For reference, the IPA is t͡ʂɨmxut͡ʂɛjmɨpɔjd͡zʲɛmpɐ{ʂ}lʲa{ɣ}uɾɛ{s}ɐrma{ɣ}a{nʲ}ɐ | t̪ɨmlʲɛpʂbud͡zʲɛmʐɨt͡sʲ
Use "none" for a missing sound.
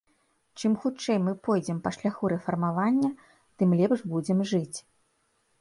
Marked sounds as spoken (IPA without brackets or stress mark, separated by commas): ʂ, x, f, v, nʲː